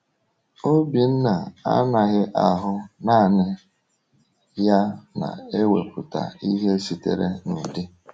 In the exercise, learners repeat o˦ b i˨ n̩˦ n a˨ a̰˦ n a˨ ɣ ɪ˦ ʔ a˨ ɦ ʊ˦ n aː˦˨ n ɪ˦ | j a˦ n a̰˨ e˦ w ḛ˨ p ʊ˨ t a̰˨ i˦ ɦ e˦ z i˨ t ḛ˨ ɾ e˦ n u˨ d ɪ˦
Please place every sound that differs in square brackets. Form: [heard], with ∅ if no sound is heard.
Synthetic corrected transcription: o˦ b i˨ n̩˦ n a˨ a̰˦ n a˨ ɣ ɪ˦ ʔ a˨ ɦ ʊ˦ n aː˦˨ n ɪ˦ | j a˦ n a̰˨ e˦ w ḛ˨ p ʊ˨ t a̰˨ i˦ ɦ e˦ [s] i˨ t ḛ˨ ɾ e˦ n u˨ d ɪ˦